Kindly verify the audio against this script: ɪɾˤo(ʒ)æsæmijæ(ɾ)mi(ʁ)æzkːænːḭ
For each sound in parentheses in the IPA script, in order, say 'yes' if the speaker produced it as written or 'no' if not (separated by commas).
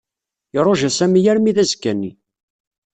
yes, yes, no